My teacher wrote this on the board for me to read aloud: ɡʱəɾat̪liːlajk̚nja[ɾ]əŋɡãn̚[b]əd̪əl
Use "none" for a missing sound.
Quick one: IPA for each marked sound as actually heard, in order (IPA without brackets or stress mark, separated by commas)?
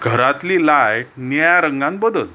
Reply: ɾ, b